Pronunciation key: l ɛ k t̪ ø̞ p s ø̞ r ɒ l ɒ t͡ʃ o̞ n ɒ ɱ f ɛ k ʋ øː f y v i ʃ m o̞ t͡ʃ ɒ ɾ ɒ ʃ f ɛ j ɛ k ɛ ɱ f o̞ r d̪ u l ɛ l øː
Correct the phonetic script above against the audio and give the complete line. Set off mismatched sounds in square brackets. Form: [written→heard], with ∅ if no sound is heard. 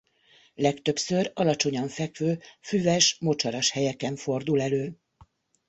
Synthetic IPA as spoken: l ɛ k t̪ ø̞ p s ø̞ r ɒ l ɒ t͡ʃ o̞ [n→ɲ] ɒ ɱ f ɛ k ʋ øː f y v [i→ɛ] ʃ m o̞ t͡ʃ ɒ ɾ ɒ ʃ [f→h] ɛ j ɛ k ɛ ɱ f o̞ r d̪ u l ɛ l øː